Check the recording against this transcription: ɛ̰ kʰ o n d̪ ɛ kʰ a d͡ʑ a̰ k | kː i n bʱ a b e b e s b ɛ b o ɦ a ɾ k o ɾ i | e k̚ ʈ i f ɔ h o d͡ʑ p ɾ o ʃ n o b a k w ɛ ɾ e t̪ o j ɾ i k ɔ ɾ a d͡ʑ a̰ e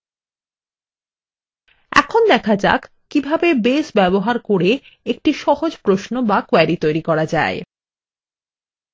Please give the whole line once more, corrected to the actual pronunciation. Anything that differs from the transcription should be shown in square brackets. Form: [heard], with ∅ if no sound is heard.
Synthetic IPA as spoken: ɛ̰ kʰ o n d̪ ɛ kʰ a d͡ʑ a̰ k | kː i [∅] bʱ a b e b e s b ɛ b o ɦ a ɾ k o ɾ [e] | e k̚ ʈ i [ʃ] ɔ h o d͡ʑ p ɾ o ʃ n o b a k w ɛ ɾ [i] t̪ o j ɾ i k ɔ ɾ a d͡ʑ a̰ e

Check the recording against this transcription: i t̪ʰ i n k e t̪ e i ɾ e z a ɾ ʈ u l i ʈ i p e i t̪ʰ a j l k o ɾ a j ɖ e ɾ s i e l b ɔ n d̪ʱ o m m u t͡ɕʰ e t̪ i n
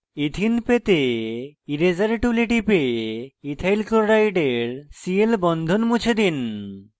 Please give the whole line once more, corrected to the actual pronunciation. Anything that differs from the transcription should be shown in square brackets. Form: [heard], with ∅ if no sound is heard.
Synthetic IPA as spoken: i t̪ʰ i n [p] e t̪ e i ɾ e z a ɾ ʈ u l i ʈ i p e i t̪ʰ a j l k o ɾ a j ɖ e ɾ s i e l b ɔ n d̪ʱ o [n] m u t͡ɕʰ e [d̪] i n

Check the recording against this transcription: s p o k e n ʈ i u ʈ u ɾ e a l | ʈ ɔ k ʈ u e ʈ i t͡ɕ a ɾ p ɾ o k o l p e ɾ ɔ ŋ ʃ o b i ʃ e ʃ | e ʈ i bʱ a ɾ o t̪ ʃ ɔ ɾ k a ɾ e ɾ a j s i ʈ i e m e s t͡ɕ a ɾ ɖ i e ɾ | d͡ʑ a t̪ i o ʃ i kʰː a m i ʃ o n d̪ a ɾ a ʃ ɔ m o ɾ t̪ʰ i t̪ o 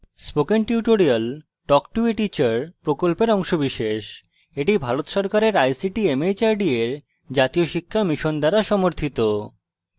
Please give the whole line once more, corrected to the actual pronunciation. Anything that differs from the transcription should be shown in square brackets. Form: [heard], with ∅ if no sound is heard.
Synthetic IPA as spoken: s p o k e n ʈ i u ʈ [o] ɾ [i] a l | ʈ ɔ k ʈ u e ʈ i t͡ɕ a ɾ p ɾ o k o l p e ɾ ɔ ŋ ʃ o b i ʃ e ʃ | e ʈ i bʱ a ɾ o t̪ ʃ ɔ ɾ k a ɾ e ɾ a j s i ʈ i e m e [∅] t͡ɕ a ɾ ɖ i e ɾ | d͡ʑ a t̪ i o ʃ i kʰː a m i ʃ o n d̪ a ɾ a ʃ ɔ m o ɾ t̪ʰ i t̪ o

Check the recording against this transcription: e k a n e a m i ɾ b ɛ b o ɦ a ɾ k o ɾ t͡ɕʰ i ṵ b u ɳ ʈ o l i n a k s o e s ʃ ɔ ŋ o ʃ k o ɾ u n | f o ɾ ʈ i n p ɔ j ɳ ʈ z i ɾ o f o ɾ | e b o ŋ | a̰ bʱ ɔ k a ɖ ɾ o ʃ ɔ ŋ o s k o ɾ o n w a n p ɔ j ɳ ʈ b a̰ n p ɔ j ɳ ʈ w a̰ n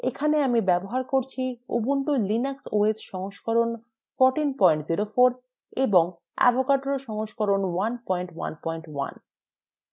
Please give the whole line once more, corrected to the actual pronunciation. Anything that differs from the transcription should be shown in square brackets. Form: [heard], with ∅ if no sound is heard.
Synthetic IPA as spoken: e [kʰ] a n e a m i [∅] b ɛ b o ɦ a ɾ k o ɾ t͡ɕʰ i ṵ b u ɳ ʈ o l i n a k s o e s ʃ ɔ ŋ o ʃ k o ɾ [o] n | f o ɾ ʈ i n p ɔ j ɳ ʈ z i ɾ o f o ɾ | e b o ŋ | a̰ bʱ [o] k a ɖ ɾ o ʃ ɔ ŋ o [ʃ] k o ɾ o n w a n p ɔ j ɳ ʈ [w] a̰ n p ɔ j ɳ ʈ w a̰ n

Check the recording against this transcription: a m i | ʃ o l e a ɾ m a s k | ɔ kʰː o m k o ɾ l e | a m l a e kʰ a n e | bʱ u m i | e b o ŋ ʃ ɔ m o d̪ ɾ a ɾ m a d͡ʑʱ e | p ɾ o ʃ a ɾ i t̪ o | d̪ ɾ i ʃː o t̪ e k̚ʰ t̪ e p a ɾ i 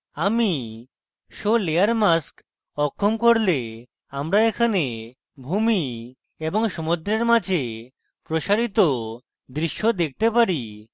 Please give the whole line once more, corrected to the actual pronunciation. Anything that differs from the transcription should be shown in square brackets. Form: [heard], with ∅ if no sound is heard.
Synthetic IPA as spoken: a m i | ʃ o l e a ɾ m a s k | ɔ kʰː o m k o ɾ l e | a m [ɾ] a e kʰ a n e | bʱ u m i | e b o ŋ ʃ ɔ m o d̪ ɾ [e] ɾ m a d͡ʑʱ e | p ɾ o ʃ a ɾ i t̪ o | d̪ ɾ i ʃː o [d̪] e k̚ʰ t̪ e p a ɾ i

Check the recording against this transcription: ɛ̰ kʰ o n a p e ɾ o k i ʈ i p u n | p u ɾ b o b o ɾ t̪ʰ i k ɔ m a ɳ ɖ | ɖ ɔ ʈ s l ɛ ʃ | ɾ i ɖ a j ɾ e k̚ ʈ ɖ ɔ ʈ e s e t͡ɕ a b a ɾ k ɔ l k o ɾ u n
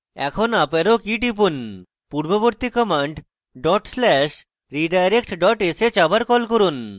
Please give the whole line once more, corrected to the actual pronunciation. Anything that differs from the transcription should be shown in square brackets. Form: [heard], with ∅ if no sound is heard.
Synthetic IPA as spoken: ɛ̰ kʰ o n a p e ɾ o k i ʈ i p u n | p u ɾ b o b o ɾ [t̪] i k ɔ m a ɳ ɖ | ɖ ɔ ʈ s l ɛ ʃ | ɾ i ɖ a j ɾ e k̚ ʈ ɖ ɔ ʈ e s e t͡ɕ a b a ɾ k ɔ l k o ɾ u n

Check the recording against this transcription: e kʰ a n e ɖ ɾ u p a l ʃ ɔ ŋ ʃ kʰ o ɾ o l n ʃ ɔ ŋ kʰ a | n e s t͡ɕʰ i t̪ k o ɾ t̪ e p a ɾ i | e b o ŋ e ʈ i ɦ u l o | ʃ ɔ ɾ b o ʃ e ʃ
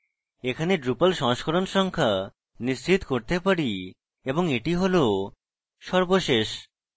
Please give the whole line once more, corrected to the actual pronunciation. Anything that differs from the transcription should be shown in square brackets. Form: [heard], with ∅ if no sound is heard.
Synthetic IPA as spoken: e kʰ a n e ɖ ɾ u p a l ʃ ɔ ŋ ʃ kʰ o ɾ o [∅] n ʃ ɔ ŋ kʰ a | n [i] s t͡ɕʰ i t̪ k o ɾ t̪ e p a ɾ i | e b o ŋ e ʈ i ɦ [o] l o | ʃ ɔ ɾ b o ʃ e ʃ

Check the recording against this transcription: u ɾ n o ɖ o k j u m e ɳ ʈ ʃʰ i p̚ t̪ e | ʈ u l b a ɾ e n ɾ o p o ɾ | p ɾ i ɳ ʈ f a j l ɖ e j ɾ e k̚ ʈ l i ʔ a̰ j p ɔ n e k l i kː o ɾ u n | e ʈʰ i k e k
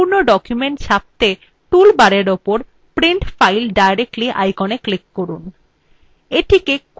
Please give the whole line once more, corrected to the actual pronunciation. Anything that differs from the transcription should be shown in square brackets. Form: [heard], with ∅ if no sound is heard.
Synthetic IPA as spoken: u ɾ n o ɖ [ɔ] k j u m e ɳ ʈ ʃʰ [a] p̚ t̪ e | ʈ u l b a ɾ e [∅] ɾ o p o ɾ | p ɾ i ɳ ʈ f a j l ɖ [a] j ɾ e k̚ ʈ l i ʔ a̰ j [k] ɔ n e k l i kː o ɾ u n | e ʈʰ i k e k

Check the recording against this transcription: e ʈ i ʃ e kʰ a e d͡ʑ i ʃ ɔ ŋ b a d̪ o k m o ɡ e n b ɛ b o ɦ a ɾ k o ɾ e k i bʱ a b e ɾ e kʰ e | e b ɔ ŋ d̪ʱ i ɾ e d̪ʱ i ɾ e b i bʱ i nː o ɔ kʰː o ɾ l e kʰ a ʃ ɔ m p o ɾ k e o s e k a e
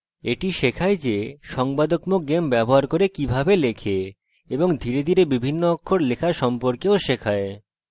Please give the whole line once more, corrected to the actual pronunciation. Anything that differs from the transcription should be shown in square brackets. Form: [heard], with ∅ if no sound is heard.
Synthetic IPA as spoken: e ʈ i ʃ e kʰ a e d͡ʑ [e] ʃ ɔ ŋ b a d̪ o k m o ɡ e [m] b ɛ b o ɦ a ɾ k o ɾ e k i bʱ a b e [l] e kʰ e | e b [o] ŋ d̪ʱ i ɾ e d̪ʱ i ɾ e b i bʱ i nː o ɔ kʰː o ɾ l e kʰ a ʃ ɔ m p o ɾ k e o [ʃ] e [kʰ] a e

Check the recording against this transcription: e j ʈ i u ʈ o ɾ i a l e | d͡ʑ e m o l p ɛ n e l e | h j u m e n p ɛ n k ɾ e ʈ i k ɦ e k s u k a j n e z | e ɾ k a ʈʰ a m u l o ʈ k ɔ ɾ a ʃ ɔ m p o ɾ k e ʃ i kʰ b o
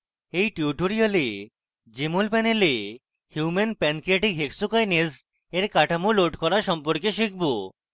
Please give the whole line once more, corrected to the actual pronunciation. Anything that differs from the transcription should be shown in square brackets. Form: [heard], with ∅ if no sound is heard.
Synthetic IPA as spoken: e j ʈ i u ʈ o ɾ i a l e | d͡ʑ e m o l p ɛ n e l e | h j u m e n p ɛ n k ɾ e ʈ i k ɦ e k s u k a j n e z | e ɾ k a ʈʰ a m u l o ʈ k ɔ ɾ a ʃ ɔ m p o ɾ k e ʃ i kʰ b o

